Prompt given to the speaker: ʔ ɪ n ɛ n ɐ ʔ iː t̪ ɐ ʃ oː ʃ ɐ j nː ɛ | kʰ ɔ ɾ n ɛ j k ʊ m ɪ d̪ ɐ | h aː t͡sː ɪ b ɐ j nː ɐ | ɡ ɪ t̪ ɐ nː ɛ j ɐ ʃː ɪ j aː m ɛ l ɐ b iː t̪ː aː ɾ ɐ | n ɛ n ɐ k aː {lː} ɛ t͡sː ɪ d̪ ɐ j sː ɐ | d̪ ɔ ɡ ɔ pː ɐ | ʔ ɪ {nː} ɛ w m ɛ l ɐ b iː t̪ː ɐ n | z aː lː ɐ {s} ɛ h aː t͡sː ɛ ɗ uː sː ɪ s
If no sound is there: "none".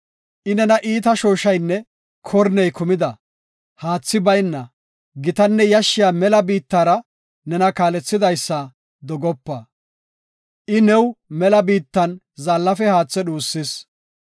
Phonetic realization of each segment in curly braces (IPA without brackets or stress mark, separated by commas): l, n, f